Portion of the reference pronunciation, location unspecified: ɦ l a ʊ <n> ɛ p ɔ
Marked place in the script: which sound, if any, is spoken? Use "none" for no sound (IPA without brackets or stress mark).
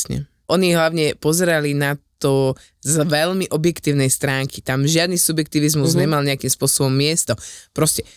ɲ